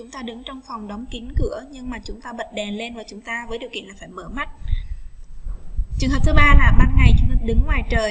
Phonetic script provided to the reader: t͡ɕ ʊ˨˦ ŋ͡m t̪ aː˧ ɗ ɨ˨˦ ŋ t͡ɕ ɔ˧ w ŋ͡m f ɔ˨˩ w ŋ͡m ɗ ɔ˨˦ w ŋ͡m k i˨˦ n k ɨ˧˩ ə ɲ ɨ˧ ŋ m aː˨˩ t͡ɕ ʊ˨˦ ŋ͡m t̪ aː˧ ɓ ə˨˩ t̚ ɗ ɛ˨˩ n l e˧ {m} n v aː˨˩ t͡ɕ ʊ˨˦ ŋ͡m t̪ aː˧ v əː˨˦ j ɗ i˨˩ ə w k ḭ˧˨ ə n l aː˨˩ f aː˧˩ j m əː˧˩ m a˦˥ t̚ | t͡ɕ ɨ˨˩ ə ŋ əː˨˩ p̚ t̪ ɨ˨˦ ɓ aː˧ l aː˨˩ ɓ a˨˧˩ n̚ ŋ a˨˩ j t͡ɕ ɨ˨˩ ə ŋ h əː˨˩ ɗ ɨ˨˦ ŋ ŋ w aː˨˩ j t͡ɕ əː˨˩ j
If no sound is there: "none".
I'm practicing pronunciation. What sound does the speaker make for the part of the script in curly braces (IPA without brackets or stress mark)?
none